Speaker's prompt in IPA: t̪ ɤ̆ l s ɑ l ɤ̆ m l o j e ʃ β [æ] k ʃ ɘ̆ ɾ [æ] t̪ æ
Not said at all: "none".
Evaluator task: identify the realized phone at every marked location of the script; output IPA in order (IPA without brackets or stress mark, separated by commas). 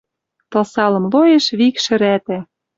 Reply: i, æ